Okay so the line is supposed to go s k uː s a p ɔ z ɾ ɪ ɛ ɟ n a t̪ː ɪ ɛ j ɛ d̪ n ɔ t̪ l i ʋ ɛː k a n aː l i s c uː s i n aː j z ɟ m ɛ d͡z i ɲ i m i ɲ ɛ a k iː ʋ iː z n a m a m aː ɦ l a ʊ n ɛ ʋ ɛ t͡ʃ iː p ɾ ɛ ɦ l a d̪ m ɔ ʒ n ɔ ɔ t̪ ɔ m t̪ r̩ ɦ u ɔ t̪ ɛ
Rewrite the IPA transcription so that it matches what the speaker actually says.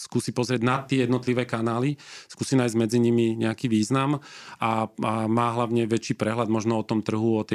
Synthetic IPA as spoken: s k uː s i p ɔ z ɾ ɪ ɛ ɟ n a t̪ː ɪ ɛ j ɛ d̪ n ɔ t̪ l i ʋ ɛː k a n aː l i s k uː s i n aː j z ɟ m ɛ d͡z i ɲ i m i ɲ ɛ a k iː ʋ iː z n a m a m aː ɦ l a ʊ ɲ ɛ ʋ ɛ t͡ʃ iː p ɾ ɛ ɦ l a d̪ m ɔ ʒ n ɔ ɔ t̪ ɔ m t̪ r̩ ɦ u ɔ t̪ ɛ